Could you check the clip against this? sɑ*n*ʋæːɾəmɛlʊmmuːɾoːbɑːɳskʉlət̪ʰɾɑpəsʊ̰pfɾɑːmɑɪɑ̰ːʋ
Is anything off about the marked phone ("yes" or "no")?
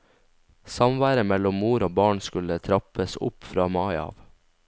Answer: yes